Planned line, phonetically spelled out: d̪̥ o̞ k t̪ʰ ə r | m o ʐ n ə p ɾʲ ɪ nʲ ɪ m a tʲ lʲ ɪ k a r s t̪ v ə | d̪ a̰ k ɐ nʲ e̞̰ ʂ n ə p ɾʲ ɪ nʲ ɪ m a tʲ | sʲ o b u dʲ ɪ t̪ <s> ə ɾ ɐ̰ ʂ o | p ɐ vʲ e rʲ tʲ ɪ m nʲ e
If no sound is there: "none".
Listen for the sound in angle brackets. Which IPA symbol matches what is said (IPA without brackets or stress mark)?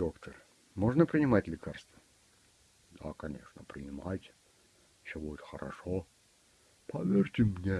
x